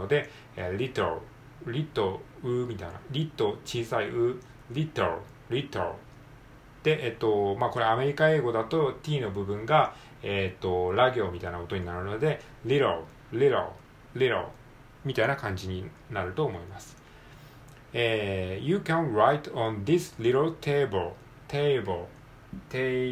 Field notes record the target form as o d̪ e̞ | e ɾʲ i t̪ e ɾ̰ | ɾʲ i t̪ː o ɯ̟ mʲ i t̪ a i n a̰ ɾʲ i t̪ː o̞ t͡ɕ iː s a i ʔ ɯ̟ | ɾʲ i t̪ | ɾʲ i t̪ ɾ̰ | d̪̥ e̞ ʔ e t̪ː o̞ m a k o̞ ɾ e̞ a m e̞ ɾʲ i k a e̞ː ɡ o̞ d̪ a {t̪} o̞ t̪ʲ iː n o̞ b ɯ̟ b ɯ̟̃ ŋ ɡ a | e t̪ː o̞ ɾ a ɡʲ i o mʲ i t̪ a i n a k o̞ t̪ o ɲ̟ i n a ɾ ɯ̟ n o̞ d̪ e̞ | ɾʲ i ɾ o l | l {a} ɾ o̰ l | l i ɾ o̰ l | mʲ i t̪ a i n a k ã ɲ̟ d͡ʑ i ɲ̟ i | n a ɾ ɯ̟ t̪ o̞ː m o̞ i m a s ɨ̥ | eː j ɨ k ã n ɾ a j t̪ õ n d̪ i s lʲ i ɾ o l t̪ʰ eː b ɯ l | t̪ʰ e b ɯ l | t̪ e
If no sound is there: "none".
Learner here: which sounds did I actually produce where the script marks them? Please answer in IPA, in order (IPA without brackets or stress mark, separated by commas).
t̪, i